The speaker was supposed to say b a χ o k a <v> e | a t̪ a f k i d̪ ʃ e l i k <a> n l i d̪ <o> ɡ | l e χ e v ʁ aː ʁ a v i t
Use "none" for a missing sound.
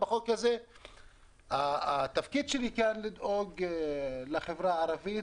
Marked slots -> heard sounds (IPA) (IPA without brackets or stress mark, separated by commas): z, a, o